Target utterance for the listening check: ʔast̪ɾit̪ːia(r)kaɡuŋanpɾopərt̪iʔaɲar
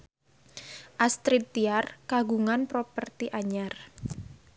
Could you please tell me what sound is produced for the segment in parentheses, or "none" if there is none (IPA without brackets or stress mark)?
r